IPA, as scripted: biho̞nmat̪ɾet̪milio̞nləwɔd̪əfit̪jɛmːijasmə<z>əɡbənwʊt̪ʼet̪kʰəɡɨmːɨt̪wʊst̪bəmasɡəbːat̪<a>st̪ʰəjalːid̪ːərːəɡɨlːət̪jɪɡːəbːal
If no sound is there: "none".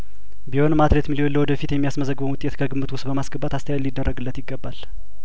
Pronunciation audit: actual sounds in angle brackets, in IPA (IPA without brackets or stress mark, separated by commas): z, a